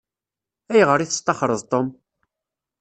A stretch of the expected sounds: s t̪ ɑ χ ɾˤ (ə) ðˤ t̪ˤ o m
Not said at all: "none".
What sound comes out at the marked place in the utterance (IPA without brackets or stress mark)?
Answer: ə